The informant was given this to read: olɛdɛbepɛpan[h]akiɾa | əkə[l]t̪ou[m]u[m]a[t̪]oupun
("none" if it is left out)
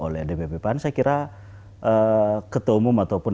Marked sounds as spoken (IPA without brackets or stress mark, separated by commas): s, none, m, m, t̪